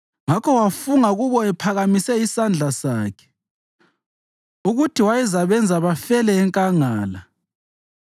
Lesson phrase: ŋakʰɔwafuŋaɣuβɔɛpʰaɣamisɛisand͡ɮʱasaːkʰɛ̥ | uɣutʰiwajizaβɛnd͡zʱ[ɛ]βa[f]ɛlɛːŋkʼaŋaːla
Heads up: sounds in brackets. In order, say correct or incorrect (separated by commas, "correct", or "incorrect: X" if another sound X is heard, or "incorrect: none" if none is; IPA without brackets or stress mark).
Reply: incorrect: a, correct